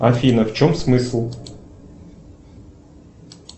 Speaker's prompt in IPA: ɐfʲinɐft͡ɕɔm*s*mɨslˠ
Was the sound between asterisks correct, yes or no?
yes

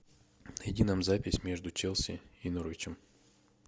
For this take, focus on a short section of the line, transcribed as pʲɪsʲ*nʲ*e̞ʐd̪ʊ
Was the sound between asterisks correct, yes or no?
no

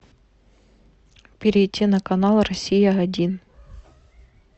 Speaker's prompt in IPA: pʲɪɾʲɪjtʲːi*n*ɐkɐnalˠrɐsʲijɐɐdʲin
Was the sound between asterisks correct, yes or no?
yes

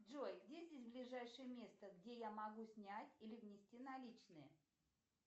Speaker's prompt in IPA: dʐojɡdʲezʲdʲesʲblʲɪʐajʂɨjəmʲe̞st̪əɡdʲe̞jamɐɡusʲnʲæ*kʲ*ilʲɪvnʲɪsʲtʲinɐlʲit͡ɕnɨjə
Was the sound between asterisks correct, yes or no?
no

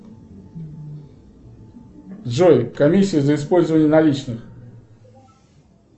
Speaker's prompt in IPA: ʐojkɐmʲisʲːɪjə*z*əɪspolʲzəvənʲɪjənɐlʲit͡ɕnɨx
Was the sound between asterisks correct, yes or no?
yes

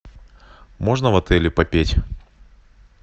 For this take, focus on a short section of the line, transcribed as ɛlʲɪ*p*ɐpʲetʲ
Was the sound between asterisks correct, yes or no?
yes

